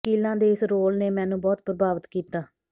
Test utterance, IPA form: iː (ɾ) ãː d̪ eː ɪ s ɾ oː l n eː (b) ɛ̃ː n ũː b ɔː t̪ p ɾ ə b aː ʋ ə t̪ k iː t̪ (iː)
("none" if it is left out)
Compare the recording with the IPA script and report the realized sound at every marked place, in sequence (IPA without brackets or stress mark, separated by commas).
l, m, aː